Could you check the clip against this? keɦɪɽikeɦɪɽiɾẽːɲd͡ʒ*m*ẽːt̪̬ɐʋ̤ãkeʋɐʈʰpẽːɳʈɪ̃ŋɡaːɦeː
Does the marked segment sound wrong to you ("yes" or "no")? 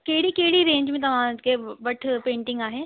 no